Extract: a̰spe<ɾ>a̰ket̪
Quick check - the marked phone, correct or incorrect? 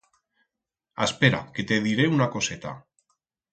correct